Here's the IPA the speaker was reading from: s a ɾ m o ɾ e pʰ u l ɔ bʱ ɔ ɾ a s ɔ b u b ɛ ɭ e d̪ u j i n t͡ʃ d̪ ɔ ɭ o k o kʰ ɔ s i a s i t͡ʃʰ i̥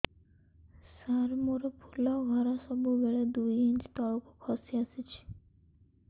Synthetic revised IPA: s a ɾ m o ɾ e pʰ u l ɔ ɡʱ ɔ ɾ a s ɔ b u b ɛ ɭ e d̪ u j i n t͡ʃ t̪ ɔ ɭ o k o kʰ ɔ s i a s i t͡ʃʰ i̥